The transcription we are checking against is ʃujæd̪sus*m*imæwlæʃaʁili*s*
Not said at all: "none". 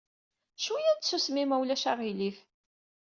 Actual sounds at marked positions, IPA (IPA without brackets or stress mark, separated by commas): m, f